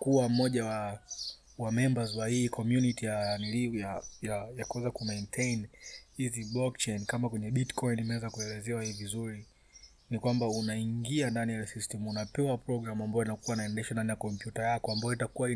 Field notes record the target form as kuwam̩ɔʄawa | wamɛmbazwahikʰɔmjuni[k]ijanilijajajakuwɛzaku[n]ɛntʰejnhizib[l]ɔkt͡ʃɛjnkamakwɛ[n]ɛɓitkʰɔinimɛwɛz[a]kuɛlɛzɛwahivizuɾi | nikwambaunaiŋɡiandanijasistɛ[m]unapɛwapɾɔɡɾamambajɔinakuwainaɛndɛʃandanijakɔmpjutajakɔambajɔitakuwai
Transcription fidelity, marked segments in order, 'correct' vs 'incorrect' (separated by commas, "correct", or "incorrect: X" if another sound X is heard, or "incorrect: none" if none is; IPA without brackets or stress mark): incorrect: t, incorrect: m, correct, incorrect: ɲ, correct, correct